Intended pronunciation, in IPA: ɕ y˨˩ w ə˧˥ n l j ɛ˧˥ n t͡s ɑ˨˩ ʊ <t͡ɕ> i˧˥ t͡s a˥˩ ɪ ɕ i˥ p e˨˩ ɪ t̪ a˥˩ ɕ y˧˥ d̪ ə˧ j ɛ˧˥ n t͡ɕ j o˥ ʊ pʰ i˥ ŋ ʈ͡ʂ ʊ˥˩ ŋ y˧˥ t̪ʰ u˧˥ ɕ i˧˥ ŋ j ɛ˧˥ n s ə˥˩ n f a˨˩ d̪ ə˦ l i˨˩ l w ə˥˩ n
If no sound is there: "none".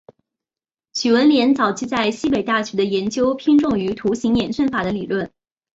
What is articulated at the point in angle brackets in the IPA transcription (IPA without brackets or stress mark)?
t͡ɕʰ